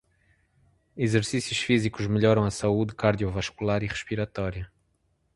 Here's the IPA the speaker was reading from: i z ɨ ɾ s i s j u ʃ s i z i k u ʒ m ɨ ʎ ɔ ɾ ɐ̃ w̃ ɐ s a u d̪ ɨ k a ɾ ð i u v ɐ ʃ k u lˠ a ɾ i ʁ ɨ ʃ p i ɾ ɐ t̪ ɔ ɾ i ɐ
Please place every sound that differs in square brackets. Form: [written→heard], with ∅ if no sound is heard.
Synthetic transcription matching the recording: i z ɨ ɾ s i s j u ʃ [s→f] i z i k u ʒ m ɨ ʎ ɔ ɾ ɐ̃ w̃ ɐ s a u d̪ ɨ k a ɾ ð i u v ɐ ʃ k u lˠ a ɾ i ʁ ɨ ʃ p i ɾ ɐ t̪ ɔ ɾ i ɐ